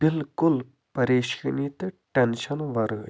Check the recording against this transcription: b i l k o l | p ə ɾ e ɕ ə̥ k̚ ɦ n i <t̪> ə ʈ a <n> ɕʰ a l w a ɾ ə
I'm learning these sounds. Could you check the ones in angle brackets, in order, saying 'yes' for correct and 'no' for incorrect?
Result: yes, yes

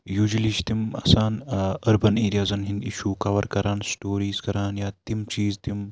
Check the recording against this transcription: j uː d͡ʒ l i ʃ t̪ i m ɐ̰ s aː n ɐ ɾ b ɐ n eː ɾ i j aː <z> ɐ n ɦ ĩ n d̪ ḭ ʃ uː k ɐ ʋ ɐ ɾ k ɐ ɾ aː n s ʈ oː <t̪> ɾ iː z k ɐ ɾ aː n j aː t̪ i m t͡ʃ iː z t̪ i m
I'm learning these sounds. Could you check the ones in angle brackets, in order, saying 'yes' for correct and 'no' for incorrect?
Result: yes, no

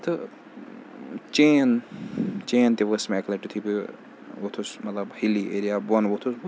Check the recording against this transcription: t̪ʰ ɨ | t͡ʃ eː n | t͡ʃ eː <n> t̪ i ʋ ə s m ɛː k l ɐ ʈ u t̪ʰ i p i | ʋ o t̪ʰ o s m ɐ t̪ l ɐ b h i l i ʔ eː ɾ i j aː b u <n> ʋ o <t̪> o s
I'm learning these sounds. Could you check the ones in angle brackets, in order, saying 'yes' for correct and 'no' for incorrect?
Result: yes, yes, no

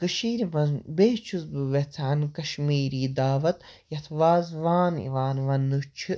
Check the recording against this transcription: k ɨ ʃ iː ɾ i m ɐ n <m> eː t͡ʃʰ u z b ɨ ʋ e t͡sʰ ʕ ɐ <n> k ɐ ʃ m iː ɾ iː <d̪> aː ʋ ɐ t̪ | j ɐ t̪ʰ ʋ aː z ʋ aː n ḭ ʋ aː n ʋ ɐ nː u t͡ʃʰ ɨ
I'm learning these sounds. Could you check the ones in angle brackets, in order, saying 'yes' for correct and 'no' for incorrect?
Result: no, yes, yes

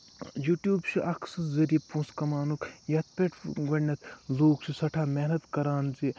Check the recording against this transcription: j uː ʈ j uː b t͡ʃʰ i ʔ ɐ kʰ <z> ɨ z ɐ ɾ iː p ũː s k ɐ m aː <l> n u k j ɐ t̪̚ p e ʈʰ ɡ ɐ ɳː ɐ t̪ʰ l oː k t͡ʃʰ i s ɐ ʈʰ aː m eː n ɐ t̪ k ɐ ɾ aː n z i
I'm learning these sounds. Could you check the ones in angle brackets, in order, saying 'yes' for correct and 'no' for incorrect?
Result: no, no

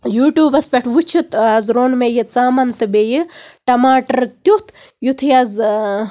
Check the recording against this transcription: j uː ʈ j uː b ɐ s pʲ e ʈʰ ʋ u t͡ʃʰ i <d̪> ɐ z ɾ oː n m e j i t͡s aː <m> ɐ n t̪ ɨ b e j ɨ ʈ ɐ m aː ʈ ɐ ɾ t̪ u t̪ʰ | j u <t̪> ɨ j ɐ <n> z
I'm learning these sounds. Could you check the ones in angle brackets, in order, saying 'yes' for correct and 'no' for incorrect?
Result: no, yes, no, no

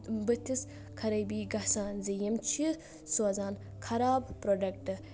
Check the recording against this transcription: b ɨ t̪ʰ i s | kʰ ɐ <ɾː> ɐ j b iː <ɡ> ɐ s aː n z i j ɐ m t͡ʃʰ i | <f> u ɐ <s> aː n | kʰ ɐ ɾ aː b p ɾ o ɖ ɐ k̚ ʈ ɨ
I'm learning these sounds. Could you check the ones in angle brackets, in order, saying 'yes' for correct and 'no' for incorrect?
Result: no, yes, no, no

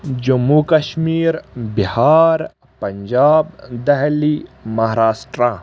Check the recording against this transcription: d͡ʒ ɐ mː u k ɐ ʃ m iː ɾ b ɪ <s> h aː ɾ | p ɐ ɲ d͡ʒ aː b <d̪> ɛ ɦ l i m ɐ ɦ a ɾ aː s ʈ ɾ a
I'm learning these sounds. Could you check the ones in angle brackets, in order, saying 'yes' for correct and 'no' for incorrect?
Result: no, yes

